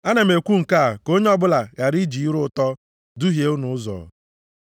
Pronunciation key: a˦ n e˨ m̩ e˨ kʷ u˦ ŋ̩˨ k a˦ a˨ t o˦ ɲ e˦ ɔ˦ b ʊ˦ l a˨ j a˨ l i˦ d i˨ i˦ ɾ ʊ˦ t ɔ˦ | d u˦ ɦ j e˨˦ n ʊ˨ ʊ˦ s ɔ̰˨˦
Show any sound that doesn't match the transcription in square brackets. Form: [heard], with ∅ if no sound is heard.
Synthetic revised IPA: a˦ n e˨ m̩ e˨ kʷ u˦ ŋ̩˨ k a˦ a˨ [k] o˦ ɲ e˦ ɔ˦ b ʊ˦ l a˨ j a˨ [ɾ] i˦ [d͡ʒ] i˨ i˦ ɾ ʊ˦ t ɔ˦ | d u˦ ɦ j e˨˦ n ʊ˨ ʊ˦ [z] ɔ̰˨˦